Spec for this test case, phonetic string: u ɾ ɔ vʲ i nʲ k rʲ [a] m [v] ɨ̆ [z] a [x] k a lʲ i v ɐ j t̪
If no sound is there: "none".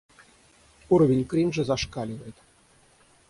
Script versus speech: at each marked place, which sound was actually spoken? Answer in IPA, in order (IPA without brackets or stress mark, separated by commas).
i, ʐ, z, ʂ